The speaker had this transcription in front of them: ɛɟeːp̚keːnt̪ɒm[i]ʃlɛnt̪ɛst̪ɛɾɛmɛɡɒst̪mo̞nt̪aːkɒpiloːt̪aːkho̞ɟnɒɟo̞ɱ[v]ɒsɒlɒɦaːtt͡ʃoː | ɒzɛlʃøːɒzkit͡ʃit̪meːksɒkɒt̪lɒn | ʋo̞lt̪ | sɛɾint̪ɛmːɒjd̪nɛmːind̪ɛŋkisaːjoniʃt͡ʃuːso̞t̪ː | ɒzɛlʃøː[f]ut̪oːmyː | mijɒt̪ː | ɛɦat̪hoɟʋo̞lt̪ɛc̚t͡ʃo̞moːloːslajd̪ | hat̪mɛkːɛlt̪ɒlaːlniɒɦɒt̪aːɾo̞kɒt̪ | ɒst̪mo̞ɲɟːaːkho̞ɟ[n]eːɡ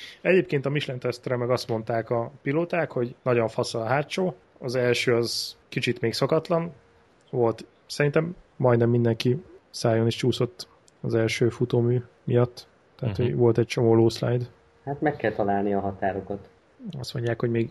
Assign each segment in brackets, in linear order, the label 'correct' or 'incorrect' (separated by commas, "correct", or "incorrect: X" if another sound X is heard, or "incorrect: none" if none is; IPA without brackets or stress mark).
correct, incorrect: f, correct, incorrect: m